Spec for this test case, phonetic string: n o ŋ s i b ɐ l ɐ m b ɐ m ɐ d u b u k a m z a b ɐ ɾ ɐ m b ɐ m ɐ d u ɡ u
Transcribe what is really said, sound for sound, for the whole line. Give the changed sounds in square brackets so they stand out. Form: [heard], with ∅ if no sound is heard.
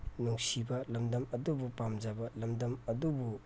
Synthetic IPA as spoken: n [u] ŋ s i b ɐ l ɐ m [d] ɐ m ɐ d u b u [p] a m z a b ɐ [l] ɐ m [d] ɐ m ɐ d u [b] u